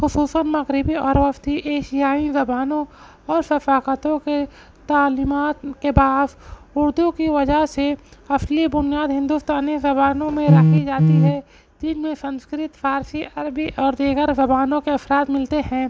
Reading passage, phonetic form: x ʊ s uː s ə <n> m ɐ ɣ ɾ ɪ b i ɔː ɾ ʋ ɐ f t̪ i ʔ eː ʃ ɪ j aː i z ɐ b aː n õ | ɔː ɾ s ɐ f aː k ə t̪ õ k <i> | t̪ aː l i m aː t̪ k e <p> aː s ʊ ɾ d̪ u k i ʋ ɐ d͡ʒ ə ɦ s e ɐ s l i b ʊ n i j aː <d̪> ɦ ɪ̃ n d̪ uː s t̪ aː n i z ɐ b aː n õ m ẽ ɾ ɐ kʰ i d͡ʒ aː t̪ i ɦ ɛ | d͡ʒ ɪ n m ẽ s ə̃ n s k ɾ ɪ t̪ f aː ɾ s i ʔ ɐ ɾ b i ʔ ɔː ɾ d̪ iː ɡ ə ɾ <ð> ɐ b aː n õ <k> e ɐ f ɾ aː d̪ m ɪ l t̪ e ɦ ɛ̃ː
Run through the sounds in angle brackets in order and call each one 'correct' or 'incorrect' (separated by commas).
correct, incorrect, incorrect, correct, incorrect, correct